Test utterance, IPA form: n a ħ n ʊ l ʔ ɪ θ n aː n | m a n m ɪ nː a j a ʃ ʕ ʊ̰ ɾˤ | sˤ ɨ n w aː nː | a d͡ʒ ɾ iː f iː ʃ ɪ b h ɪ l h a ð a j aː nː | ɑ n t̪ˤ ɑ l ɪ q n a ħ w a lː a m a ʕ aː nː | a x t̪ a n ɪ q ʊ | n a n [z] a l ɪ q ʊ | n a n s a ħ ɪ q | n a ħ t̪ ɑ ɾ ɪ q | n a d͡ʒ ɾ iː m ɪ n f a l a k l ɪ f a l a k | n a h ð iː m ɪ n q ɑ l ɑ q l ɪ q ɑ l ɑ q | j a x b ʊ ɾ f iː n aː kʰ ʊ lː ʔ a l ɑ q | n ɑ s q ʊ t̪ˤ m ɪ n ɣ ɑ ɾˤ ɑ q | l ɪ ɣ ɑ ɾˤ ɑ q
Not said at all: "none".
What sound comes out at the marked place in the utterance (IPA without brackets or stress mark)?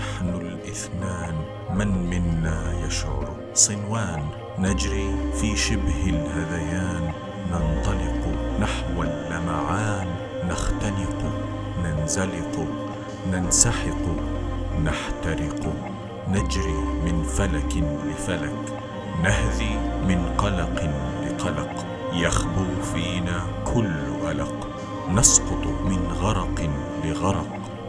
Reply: z